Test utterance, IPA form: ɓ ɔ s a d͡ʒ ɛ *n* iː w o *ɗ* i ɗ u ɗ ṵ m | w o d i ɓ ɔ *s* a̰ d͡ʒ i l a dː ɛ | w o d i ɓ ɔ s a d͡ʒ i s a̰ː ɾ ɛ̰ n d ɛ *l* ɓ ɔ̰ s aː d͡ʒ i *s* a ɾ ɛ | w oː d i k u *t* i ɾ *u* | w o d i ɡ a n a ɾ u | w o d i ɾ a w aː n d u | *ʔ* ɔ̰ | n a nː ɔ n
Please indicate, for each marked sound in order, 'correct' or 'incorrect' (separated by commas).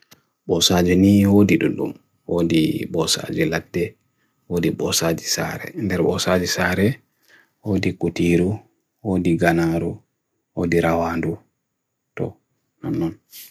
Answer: correct, incorrect, correct, incorrect, correct, correct, correct, incorrect